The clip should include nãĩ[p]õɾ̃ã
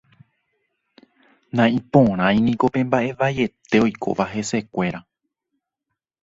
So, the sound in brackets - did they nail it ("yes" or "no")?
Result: yes